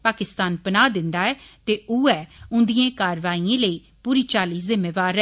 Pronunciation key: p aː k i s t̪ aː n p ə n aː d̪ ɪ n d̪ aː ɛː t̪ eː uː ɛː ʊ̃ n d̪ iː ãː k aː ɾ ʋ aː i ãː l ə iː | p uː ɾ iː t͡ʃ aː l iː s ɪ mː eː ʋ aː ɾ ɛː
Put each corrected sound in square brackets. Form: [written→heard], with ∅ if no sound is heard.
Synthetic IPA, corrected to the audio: p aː k [i→ɪ] s t̪ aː n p ə n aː d̪ ɪ n d̪ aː ɛː t̪ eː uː ɛː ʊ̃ n d̪ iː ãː k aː ɾ ʋ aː i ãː l ə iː | p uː ɾ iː t͡ʃ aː l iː [s→z] ɪ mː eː ʋ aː ɾ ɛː

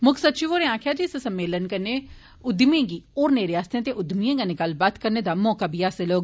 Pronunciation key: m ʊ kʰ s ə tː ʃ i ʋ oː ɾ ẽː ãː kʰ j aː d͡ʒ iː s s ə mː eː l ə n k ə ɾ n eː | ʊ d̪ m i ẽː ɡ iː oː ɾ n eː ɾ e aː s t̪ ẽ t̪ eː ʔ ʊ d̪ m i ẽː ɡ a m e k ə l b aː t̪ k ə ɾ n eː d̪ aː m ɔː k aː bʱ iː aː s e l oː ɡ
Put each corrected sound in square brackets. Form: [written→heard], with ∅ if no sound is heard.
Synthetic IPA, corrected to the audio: m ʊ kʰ s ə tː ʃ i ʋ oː ɾ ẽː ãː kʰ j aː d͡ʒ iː s s ə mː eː l ə n k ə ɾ n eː | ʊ d̪ m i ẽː ɡ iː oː ɾ n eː ɾ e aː s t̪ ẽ t̪ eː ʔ ʊ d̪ m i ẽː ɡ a [m→n] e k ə l b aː t̪ k ə ɾ n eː d̪ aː m ɔː k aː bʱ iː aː s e l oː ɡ

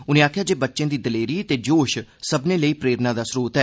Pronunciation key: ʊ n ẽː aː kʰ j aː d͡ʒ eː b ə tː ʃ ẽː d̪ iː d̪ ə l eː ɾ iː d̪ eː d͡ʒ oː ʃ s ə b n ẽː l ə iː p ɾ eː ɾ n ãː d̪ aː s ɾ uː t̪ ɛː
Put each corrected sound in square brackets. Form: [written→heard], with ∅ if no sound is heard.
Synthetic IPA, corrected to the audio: ʊ n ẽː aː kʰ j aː d͡ʒ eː b ə tː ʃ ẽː d̪ iː d̪ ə l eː ɾ iː [d̪→t̪] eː d͡ʒ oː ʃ s ə b n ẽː l ə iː p ɾ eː ɾ n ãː d̪ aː s ɾ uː t̪ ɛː

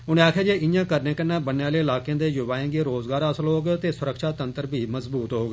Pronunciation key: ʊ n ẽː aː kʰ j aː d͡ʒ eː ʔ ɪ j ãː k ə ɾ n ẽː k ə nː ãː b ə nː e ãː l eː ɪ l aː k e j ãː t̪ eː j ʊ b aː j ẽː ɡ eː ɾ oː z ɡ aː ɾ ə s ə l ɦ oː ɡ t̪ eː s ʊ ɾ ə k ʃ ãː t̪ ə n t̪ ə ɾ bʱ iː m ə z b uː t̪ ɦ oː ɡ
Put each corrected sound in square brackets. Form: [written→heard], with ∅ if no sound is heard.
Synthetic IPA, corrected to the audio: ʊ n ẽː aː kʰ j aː d͡ʒ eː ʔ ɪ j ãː k ə ɾ n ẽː k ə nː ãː b ə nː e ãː l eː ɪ l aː k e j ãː [t̪→d̪] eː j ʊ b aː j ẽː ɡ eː ɾ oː z ɡ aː ɾ ə s ə l ɦ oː ɡ t̪ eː s ʊ ɾ ə k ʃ [ãː→aː] t̪ ə n t̪ ə ɾ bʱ iː m ə z b uː t̪ ɦ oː ɡ

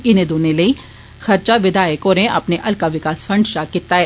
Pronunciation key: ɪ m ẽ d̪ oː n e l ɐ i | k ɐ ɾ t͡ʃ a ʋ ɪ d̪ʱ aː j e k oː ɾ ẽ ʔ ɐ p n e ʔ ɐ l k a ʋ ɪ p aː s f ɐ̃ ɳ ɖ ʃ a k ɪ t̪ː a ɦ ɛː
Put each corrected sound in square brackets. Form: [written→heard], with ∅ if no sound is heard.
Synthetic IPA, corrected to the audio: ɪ [m→n] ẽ d̪ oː n e l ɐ i | [k→x] ɐ ɾ t͡ʃ a ʋ ɪ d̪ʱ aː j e k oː ɾ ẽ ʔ ɐ p n e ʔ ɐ l k a ʋ ɪ [p→k] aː s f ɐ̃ ɳ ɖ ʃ a k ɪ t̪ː a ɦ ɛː

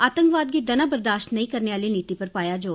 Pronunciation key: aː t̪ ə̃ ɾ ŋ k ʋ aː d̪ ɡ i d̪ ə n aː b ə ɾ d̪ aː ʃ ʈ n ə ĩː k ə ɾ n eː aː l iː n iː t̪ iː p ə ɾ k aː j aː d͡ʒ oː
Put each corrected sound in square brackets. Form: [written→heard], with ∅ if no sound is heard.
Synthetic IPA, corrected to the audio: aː t̪ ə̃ [ɾ→∅] ŋ k ʋ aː d̪ ɡ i d̪ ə n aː b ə ɾ d̪ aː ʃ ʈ n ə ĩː k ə ɾ n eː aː l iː n iː t̪ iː p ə ɾ [k→p] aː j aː d͡ʒ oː

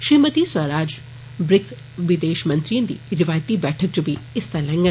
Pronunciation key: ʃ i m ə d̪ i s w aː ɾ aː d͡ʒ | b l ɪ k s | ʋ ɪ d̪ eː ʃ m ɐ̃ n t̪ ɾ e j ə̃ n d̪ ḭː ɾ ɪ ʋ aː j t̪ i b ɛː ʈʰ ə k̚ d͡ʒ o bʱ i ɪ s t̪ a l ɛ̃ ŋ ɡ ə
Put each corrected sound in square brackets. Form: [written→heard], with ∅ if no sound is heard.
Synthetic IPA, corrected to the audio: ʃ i m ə [d̪→t̪] i s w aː ɾ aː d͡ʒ | b [l→ɾ] ɪ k s | ʋ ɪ d̪ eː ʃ m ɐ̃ n t̪ ɾ [e→i] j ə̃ n d̪ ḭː ɾ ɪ ʋ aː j t̪ i b ɛː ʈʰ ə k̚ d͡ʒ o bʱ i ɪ s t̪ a l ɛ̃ ŋ ɡ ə

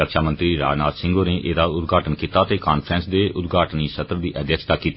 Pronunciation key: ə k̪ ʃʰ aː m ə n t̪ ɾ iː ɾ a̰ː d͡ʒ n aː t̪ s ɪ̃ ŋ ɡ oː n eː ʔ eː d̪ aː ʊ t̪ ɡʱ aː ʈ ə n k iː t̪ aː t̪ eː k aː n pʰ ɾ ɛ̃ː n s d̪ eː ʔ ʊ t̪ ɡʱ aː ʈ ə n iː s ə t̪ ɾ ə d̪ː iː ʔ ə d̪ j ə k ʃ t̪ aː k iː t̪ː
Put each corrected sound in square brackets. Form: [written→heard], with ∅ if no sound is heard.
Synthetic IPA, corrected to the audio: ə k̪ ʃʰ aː m ə n t̪ ɾ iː ɾ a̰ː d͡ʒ n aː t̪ s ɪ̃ ŋ ɡ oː n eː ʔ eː d̪ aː ʊ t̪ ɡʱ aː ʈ ə n k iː t̪ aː t̪ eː k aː n pʰ ɾ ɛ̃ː n s d̪ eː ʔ ʊ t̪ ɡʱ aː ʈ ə n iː s ə t̪ ɾ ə [d̪ː→d̪] iː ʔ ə d̪ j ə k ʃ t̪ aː k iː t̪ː

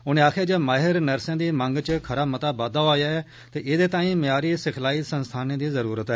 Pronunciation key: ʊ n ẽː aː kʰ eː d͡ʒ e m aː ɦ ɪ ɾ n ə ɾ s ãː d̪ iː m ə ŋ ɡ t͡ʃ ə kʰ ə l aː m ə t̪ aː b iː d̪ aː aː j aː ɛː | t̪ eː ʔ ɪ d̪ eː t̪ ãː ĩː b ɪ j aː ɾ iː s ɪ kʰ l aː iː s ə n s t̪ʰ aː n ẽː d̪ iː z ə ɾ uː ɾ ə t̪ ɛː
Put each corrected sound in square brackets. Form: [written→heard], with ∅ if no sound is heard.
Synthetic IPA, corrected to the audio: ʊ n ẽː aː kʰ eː d͡ʒ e m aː ɦ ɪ ɾ n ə ɾ s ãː d̪ iː m ə ŋ ɡ t͡ʃ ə kʰ ə [l→ɾ] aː m ə t̪ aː b [iː→aː] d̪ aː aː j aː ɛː | t̪ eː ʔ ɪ d̪ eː t̪ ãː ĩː [b→m] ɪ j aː ɾ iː s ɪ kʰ l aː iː s ə n s t̪ʰ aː n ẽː d̪ iː z ə ɾ uː ɾ ə t̪ ɛː

